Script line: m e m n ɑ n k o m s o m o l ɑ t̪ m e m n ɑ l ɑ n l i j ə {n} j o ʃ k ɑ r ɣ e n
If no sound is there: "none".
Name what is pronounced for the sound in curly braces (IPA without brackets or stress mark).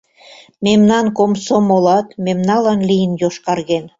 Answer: n